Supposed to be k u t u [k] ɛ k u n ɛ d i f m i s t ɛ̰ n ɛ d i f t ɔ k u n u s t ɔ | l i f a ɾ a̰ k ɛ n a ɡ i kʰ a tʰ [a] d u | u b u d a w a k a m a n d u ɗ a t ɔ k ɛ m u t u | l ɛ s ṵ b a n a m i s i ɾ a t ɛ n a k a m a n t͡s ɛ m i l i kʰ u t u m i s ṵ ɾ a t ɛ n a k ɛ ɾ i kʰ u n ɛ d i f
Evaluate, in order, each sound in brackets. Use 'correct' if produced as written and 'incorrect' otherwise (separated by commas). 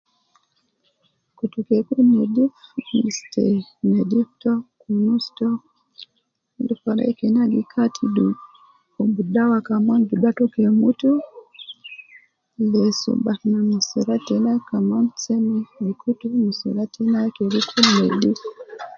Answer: correct, incorrect